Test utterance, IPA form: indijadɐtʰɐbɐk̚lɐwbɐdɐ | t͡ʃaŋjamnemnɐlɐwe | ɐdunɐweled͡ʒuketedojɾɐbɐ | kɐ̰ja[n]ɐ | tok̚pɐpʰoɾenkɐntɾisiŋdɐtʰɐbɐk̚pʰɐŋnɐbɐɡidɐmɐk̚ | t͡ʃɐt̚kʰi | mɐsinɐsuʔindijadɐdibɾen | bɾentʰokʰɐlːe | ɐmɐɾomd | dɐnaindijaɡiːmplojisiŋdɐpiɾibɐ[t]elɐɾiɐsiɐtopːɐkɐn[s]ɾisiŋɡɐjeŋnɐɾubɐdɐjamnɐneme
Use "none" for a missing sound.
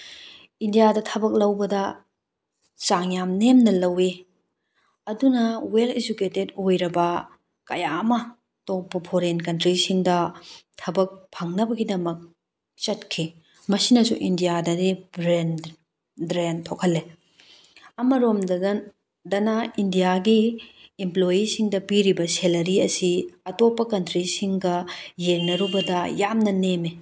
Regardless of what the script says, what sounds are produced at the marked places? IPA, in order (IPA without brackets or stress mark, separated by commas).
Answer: m, s, t